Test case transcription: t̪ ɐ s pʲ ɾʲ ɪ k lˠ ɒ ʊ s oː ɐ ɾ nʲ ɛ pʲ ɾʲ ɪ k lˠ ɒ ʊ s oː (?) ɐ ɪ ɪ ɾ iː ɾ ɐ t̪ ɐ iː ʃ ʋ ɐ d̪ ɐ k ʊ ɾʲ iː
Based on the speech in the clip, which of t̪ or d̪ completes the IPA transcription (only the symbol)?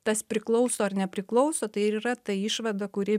t̪